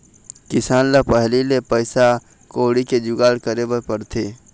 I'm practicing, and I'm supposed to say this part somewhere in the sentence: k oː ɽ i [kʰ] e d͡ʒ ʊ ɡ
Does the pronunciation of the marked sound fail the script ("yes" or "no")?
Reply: yes